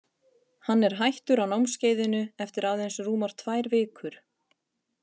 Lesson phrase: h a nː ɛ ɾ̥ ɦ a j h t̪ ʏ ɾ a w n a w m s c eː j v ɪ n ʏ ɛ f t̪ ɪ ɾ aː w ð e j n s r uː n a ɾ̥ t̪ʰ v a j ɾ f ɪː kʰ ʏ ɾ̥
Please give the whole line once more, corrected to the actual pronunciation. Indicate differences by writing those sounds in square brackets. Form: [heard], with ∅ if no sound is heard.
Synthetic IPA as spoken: h a nː ɛ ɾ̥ ɦ a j h t̪ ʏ ɾ a w n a w m s c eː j [ð] ɪ n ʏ ɛ f t̪ ɪ ɾ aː w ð e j n s r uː [m] a ɾ̥ t̪ʰ v a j ɾ [v] ɪː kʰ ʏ ɾ̥